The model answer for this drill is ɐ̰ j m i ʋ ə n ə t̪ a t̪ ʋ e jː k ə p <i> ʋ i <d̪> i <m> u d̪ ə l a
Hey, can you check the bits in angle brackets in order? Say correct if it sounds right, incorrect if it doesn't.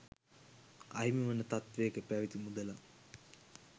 incorrect, incorrect, correct

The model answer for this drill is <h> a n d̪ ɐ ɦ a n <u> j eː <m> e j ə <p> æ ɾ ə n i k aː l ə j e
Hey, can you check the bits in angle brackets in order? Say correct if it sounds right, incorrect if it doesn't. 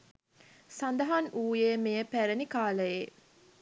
incorrect, incorrect, correct, correct

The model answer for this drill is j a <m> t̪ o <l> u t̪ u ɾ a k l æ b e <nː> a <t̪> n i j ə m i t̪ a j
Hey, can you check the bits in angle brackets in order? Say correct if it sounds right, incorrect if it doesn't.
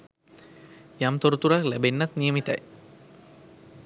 correct, incorrect, correct, correct

